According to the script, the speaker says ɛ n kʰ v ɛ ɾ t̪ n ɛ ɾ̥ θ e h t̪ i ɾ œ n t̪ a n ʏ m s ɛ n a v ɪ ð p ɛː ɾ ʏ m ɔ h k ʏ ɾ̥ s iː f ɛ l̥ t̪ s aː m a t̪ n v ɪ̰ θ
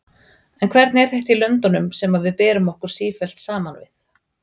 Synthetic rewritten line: ɛ n kʰ v ɛ ɾ t̪ n ɛ ɾ̥ θ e h t̪ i l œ n t̪ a n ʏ m s ɛ m a v ɪ ð p ɛː ɾ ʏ m ɔ h k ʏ ɾ̥ s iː f ɛ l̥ t̪ s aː m a n v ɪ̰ θ